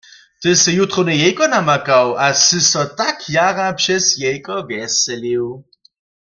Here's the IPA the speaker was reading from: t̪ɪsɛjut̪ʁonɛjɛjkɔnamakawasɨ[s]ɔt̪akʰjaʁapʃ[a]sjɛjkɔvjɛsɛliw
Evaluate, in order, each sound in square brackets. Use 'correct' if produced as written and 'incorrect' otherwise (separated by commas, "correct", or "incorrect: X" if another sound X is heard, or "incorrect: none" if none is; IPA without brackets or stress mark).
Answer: correct, incorrect: ɛ